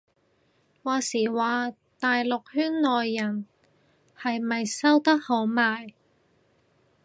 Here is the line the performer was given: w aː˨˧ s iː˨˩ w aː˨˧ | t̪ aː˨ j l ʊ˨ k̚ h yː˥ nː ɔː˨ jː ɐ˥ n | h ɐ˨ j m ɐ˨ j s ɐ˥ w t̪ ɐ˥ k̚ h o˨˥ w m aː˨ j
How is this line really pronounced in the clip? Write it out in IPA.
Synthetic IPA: w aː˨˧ s iː˨˩ w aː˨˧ | t̪ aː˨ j l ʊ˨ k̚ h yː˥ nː ɔː˨ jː ɐ˨˩ n | h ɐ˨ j m ɐ˨ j s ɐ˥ w t̪ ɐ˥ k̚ h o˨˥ w m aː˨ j